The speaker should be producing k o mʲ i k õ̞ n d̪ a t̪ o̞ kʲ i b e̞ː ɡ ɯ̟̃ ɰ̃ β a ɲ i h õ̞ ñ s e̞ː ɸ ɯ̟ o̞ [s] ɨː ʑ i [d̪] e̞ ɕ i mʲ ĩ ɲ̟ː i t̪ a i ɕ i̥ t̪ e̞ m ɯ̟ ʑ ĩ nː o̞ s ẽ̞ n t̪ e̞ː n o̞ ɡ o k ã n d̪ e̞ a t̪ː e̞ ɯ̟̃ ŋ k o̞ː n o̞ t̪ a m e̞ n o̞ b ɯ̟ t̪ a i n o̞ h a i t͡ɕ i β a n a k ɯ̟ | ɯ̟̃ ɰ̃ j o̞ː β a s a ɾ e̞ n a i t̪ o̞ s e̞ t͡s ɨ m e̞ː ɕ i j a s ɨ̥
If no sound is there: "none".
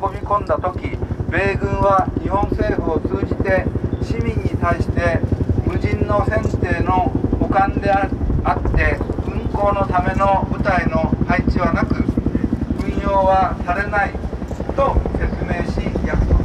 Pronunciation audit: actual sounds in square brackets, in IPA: t͡s, t̪

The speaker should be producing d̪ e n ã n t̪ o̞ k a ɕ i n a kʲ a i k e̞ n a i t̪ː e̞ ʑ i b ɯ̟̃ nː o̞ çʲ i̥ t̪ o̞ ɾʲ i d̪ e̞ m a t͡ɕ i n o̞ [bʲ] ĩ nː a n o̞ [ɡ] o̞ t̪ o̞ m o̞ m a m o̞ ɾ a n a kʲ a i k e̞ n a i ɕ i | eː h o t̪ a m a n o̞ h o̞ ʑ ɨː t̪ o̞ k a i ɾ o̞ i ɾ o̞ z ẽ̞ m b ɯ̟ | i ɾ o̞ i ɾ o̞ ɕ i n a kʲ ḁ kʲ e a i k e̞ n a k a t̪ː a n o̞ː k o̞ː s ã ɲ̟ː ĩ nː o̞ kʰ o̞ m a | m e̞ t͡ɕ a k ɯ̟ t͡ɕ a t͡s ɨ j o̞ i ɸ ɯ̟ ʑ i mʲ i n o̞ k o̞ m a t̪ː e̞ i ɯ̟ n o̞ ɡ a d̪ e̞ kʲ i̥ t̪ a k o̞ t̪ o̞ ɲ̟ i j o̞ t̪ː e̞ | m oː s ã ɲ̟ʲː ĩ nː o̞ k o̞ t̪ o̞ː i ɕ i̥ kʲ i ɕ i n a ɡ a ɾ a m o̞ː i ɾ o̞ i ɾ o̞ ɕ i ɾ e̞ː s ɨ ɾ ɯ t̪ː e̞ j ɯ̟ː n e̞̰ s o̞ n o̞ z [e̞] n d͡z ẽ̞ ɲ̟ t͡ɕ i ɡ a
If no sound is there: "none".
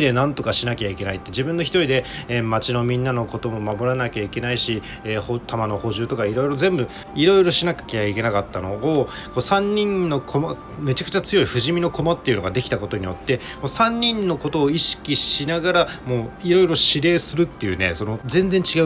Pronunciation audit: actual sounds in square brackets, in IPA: mʲ, k, ẽ̞

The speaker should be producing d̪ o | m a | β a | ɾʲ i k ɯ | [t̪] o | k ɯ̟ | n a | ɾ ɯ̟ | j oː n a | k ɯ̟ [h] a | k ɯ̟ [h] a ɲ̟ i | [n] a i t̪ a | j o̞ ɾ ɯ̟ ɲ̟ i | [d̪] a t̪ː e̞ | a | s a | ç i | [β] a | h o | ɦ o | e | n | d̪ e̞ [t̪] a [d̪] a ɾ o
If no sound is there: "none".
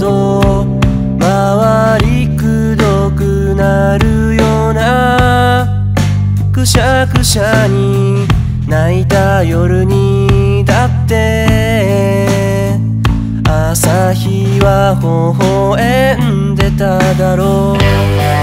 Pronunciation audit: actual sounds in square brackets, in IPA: d̪, ɕ, ɕ, n, d̪, β, t̪, d̪

